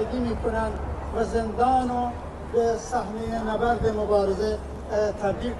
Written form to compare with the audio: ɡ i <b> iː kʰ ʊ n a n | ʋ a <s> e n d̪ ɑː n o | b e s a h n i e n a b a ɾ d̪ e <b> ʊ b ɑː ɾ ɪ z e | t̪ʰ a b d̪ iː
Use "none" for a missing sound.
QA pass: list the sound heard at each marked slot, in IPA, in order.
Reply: m, z, m

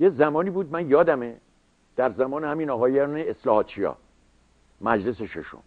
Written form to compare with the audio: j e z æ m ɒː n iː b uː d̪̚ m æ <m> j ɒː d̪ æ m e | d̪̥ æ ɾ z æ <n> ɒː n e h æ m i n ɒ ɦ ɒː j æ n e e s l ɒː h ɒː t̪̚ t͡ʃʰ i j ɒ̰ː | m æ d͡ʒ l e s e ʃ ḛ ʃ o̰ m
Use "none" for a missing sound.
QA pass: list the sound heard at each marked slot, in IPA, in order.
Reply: n, m

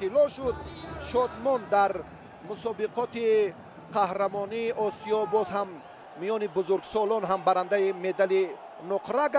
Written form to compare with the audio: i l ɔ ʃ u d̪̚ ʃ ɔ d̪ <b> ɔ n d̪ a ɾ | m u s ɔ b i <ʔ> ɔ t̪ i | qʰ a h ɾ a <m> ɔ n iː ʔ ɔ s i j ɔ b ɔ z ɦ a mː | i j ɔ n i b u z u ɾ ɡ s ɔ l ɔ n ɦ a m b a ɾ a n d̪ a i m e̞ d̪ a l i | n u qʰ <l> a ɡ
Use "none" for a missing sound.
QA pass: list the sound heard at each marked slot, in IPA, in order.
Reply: m, q, m, ɾ

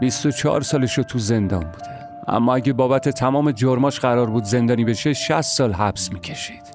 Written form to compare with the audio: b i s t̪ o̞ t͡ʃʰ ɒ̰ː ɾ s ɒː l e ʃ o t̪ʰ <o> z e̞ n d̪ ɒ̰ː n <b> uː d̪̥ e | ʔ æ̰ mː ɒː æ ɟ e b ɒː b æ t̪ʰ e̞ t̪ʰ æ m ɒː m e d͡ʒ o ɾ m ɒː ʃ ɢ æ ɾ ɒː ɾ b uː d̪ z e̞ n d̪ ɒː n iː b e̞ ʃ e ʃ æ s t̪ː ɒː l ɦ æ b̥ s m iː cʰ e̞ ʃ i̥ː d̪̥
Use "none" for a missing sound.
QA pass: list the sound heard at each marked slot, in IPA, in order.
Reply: u, b

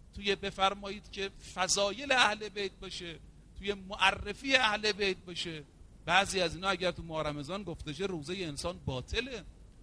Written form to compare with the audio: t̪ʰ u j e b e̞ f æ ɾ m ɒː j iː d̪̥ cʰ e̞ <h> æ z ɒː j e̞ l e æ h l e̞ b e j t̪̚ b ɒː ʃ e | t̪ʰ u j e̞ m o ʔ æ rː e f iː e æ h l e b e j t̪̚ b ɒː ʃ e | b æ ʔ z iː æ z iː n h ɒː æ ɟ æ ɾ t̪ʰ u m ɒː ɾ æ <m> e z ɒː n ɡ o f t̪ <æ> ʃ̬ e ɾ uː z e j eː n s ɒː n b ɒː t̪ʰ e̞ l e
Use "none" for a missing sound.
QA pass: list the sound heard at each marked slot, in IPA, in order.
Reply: f, m, e

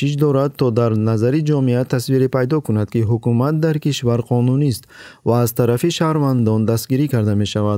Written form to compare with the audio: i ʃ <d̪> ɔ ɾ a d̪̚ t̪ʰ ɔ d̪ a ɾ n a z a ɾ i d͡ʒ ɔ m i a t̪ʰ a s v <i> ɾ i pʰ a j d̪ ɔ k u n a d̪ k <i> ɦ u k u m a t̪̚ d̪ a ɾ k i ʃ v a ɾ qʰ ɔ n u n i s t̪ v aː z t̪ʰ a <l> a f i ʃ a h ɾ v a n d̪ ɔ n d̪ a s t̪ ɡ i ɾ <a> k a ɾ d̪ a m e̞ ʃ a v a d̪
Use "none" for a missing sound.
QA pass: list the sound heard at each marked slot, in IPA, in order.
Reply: d̪, i, i, ɾ, i

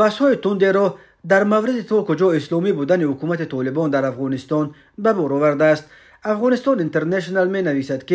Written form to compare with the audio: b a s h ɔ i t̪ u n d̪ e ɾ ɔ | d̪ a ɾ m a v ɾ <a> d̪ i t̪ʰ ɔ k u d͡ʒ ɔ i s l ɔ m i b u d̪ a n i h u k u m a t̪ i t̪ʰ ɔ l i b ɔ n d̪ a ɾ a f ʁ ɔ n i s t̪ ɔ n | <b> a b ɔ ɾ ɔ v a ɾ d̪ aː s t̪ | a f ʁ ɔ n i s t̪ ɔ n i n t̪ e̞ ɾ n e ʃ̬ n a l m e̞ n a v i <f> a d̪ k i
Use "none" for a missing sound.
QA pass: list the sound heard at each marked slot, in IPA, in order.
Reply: i, b, s

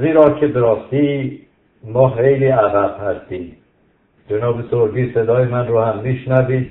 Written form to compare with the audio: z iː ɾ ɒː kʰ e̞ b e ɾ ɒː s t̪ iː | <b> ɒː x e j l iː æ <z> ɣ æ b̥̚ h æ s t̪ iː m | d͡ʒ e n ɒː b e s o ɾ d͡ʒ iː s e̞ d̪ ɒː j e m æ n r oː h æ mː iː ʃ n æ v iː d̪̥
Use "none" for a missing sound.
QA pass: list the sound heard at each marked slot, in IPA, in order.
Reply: m, none

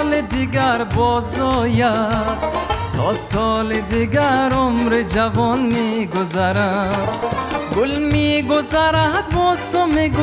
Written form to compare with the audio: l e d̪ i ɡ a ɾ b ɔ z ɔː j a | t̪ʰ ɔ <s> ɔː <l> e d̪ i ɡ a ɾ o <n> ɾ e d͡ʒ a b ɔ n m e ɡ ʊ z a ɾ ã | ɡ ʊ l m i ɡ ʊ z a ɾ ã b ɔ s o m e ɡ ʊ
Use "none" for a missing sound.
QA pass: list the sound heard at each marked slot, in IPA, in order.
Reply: s, l, m

